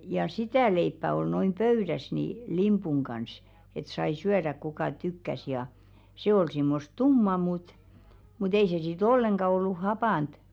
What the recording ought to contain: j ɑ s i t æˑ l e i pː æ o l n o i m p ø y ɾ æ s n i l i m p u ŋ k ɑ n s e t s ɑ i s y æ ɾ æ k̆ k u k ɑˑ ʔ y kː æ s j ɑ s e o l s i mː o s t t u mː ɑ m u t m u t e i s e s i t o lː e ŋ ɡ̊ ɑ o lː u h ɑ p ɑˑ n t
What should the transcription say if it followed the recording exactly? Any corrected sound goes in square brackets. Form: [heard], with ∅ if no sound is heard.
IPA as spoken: j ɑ s i t æˑ l e i pː æ o l n o i m p ø y ɾ æ s n i l i m p u ŋ k ɑ n s e t s ɑ i s y æ ɾ æ k̆ k u k ɑˑ [t] y kː æ s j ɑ s e o l s i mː o s t t u mː ɑ m u t m u t e i s e s i t o lː e ŋ ɡ̊ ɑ o lː u h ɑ p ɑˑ n t